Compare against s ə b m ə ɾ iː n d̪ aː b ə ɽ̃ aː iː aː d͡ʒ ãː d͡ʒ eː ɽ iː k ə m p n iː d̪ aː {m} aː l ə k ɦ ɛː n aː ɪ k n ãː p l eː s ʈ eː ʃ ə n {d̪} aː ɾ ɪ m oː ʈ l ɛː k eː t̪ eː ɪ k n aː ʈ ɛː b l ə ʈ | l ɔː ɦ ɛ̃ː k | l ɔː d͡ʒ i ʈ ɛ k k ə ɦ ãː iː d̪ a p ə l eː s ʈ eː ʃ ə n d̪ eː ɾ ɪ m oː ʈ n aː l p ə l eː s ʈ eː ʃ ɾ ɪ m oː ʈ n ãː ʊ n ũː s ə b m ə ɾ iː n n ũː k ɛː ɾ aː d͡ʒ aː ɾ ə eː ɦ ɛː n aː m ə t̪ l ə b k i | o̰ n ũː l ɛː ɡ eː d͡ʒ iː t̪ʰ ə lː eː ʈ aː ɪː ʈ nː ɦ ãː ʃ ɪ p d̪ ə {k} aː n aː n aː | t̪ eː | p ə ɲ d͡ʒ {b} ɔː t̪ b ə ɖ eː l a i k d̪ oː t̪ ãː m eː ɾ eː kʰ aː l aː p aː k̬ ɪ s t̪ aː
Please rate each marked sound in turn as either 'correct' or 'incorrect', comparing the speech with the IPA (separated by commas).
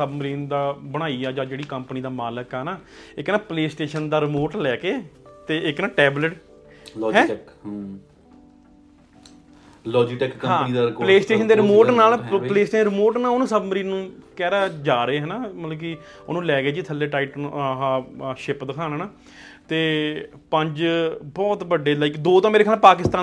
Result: correct, correct, incorrect, correct